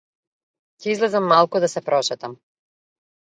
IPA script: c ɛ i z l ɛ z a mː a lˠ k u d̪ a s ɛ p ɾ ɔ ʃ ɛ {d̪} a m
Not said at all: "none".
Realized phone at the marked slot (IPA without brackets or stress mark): t̪